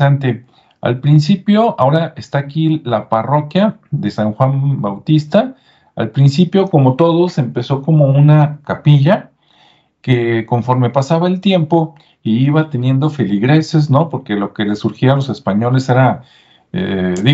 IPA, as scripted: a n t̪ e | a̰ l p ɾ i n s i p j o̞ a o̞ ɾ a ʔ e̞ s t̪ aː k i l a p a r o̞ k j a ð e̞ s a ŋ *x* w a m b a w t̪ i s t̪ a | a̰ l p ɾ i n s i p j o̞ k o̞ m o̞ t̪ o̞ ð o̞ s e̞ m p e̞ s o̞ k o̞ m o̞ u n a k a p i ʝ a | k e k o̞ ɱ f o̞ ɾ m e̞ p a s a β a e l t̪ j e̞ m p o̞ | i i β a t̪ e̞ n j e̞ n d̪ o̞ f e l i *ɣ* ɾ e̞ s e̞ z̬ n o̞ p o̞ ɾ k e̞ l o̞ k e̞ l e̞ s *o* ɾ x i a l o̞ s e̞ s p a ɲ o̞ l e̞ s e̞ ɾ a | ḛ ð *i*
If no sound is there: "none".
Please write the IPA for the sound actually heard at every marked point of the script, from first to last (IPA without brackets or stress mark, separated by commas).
x, ɣ, u, i